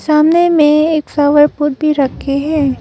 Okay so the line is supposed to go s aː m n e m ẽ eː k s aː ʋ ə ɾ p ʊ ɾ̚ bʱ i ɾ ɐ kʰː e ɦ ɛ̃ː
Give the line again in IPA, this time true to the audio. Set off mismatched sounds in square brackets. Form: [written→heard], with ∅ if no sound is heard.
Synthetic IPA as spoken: s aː m n e m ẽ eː k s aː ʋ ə ɾ p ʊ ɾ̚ bʱ i ɾ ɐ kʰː e ɦ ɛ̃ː